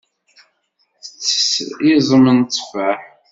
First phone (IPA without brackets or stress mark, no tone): θ